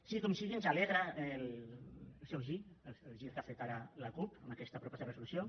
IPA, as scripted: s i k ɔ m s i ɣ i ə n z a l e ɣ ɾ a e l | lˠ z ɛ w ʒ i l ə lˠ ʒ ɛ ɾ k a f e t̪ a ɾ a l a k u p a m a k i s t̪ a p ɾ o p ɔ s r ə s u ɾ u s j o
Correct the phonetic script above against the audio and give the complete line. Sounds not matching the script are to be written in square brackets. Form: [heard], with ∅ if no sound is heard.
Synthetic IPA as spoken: s i k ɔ m s i ɣ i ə n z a l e ɣ ɾ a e l | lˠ [s] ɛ w ʒ i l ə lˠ ʒ [i] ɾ k a f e t̪ a ɾ a l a k u p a m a k [ɛ] s t̪ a p ɾ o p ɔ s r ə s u [l] u s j o